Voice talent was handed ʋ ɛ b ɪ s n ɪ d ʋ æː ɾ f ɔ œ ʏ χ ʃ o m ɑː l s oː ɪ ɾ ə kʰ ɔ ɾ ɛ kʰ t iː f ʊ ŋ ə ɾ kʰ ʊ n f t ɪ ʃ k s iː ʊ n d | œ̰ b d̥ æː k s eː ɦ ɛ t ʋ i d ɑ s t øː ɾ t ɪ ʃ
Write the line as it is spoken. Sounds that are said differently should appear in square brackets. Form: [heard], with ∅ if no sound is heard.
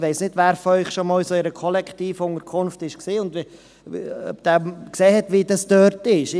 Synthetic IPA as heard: ʋ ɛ [∅] ɪ s n ɪ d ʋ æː ɾ f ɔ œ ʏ χ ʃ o m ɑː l s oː ɪ ɾ ə kʰ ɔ [l] ɛ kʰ t iː f ʊ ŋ ə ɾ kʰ ʊ n f t ɪ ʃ k s iː ʊ n d | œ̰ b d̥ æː k s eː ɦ ɛ t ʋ i d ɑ s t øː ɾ t ɪ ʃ